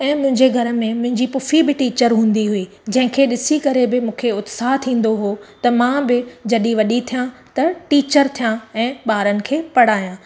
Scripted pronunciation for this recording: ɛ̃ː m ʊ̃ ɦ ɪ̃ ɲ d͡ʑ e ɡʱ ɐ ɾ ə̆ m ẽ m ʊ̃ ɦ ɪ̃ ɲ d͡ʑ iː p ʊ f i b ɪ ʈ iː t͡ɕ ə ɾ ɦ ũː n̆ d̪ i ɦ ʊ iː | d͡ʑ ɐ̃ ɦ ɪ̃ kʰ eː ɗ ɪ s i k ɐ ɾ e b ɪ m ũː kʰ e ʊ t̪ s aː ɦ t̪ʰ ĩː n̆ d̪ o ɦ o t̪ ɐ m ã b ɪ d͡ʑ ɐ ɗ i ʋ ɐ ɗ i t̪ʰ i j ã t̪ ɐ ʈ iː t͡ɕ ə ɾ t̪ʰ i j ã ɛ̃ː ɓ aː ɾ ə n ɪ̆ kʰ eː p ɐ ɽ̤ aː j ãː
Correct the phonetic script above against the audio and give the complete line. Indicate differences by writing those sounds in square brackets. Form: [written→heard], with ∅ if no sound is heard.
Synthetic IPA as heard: ɛ̃ː m ʊ̃ ɦ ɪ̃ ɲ d͡ʑ e ɡʱ ɐ ɾ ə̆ m ẽ m ʊ̃ ɦ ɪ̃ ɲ d͡ʑ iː p ʊ f i b ɪ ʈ iː t͡ɕ ə ɾ ɦ ũː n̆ d̪ i ɦ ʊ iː | d͡ʑ ɐ̃ ɦ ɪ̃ kʰ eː ɗ ɪ s i k ɐ ɾ e b ɪ m ũː kʰ e ʊ t̪ s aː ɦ t̪ʰ ĩː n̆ d̪ o ɦ o t̪ ɐ m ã b ɪ d͡ʑ ɐ ɗ i ʋ ɐ ɗ i t̪ʰ i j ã t̪ ɐ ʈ iː t͡ɕ ə ɾ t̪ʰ i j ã ɛ̃ː ɓ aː ɾ ə n ɪ̆ kʰ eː p ɐ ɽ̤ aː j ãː